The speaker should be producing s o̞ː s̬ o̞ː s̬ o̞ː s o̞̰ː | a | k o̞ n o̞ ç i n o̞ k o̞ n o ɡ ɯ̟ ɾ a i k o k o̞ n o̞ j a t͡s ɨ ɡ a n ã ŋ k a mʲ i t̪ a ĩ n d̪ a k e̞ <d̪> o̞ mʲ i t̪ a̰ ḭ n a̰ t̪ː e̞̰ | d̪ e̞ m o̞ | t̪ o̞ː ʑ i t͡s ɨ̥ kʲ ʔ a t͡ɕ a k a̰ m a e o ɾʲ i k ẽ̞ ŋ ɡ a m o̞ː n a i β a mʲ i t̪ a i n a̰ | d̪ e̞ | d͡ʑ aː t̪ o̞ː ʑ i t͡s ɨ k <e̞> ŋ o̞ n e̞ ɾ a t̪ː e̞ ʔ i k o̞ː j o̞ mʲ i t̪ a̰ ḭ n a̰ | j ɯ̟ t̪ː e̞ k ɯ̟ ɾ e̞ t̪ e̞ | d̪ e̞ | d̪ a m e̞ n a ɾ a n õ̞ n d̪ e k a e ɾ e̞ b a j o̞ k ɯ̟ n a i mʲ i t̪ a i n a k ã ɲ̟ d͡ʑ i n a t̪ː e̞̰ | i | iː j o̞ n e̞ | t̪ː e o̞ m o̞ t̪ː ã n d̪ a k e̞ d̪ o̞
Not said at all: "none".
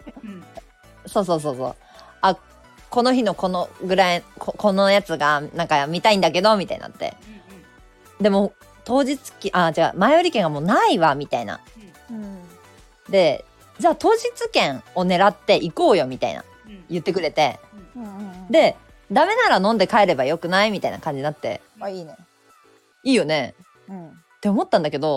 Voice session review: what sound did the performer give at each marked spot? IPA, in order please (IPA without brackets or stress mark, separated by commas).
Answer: d̪, ẽ̞